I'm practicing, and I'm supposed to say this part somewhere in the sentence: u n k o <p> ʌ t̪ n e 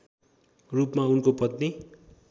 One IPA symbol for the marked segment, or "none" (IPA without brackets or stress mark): p